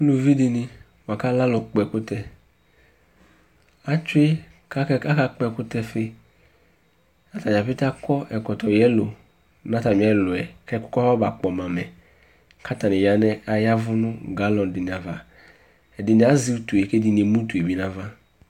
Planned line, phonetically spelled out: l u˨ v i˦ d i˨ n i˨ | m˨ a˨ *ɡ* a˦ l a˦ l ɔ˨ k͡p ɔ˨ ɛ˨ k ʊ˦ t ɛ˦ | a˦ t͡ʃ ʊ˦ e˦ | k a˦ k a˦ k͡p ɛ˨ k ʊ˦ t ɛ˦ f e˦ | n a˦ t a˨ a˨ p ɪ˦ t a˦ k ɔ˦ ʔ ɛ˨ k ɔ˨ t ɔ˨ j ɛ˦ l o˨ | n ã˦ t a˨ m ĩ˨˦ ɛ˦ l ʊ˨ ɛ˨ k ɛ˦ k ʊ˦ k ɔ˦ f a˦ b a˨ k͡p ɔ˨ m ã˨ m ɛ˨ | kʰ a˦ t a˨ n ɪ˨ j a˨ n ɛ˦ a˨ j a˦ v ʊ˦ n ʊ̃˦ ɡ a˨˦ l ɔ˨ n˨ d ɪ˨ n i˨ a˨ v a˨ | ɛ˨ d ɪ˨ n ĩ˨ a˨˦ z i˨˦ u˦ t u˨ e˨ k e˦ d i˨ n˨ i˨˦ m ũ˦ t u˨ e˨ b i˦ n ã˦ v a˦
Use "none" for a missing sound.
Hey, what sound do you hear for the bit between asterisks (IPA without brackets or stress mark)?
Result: k